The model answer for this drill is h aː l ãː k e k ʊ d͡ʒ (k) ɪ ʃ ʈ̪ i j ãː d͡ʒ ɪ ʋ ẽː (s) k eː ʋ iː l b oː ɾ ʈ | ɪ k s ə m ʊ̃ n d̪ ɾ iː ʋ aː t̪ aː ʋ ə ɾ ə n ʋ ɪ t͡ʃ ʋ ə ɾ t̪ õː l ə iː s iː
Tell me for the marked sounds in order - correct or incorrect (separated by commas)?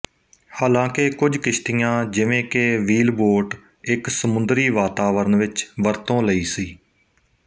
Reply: correct, incorrect